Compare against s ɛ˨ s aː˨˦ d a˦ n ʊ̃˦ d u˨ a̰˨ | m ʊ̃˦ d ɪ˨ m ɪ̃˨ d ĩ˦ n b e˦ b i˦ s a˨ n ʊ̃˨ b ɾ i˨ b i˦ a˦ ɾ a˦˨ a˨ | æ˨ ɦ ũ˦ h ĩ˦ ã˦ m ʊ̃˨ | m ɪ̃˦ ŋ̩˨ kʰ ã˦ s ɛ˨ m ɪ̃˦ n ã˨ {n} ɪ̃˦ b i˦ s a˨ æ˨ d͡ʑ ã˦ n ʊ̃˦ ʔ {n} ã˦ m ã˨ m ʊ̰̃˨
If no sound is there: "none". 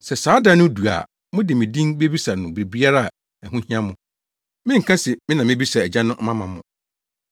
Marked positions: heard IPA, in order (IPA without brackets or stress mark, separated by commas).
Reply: m, m